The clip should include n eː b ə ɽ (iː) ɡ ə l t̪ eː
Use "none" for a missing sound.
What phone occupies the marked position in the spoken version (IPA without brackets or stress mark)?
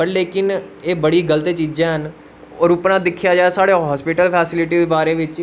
iː